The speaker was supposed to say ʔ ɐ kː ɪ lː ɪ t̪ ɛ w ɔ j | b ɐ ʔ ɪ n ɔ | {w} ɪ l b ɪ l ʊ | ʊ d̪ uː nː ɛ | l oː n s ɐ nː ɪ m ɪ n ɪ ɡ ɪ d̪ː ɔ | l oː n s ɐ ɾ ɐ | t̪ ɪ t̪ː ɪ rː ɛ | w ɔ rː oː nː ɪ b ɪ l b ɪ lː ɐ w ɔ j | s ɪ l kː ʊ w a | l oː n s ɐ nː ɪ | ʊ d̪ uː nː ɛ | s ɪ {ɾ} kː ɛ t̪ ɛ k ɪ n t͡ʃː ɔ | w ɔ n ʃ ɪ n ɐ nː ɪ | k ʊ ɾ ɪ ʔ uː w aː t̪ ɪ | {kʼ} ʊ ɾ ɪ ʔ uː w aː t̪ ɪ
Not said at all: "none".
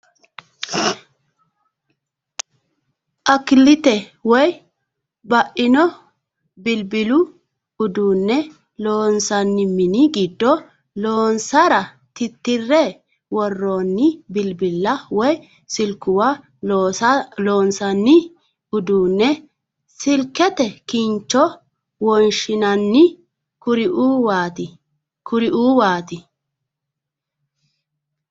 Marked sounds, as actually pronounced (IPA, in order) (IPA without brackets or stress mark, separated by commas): b, l, k